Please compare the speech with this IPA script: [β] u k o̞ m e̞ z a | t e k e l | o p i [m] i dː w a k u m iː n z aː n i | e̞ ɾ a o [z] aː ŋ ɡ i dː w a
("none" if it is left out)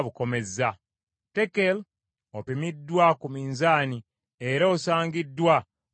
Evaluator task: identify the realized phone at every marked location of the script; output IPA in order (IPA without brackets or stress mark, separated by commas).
β, m, s